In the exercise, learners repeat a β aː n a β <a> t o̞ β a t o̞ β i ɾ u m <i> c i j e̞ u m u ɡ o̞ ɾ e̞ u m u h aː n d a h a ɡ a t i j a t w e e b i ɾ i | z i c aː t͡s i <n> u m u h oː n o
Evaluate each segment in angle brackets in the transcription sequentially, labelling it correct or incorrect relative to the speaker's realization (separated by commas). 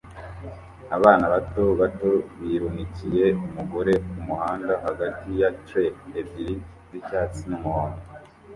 correct, correct, correct